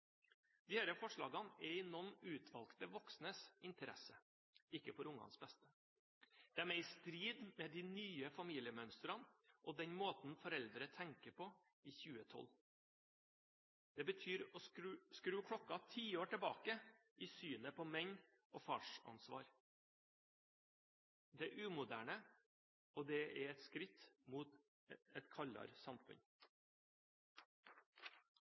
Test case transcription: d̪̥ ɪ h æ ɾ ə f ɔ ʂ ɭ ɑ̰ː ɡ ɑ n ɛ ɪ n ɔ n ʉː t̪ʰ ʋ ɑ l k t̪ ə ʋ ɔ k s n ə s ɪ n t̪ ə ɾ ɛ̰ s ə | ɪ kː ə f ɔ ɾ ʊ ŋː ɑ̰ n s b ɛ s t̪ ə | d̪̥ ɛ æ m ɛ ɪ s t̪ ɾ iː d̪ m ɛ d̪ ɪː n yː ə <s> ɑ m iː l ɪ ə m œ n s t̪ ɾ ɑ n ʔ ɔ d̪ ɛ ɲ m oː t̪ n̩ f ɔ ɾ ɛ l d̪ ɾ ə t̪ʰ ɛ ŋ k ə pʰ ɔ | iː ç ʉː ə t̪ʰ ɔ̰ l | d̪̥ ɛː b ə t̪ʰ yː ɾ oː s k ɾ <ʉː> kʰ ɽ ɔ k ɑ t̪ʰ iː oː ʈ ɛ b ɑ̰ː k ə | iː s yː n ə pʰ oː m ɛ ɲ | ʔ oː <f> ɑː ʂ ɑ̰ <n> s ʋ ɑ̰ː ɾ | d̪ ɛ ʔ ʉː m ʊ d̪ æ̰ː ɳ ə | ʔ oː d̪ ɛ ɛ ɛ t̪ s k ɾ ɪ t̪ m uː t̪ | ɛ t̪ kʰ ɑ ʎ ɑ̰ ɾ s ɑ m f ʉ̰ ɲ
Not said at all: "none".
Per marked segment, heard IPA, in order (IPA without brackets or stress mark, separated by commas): f, ʉː, f, n